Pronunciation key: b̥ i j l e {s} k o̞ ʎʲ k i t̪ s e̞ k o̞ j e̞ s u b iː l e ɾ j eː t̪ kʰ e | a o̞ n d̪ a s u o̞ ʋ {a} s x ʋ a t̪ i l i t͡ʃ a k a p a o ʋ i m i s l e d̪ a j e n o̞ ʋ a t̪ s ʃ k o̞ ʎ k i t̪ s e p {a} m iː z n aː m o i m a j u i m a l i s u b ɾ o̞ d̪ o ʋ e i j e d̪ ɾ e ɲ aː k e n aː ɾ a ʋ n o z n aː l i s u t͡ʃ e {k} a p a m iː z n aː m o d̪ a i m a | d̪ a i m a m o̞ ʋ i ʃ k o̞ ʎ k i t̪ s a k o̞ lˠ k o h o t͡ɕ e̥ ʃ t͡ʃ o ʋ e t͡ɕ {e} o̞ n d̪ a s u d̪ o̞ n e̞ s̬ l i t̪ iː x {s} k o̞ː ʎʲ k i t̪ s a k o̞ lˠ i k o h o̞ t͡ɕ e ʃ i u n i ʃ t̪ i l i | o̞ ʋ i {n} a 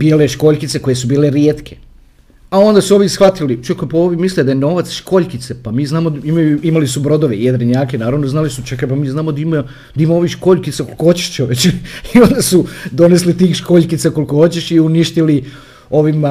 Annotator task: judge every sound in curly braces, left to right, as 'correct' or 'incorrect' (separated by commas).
incorrect, incorrect, correct, correct, incorrect, incorrect, incorrect